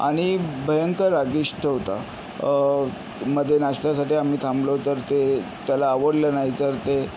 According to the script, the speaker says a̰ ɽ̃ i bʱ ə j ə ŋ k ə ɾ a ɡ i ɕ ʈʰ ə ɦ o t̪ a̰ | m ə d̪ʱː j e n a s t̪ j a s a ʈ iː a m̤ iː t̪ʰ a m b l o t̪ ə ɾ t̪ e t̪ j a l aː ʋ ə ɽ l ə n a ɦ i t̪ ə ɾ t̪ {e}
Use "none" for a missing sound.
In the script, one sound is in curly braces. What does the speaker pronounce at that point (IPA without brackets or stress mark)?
e